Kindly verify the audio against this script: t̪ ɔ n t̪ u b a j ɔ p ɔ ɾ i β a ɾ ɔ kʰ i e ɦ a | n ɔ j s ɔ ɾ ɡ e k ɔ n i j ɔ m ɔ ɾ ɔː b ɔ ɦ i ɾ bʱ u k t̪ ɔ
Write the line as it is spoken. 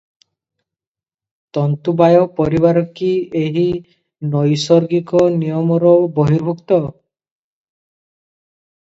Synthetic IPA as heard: t̪ ɔ n t̪ u b a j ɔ p ɔ ɾ i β a ɾ ɔ k i e ɦ i | n ɔ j s ɔ ɾ ɡ i k ɔ n i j ɔ m ɔ ɾ ɔ b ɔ ɦ i ɾ bʱ u k t̪ ɔ